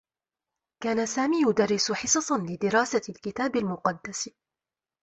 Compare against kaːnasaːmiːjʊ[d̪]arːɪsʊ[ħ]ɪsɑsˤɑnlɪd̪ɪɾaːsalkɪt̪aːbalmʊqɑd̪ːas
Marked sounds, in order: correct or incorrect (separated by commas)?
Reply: correct, correct